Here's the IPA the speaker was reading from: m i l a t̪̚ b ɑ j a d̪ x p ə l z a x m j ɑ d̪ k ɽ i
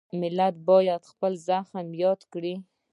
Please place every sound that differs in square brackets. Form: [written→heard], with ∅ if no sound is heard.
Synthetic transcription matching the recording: m [i→ɪ] l a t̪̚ b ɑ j a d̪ x p ə l z a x m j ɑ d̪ k ɽ i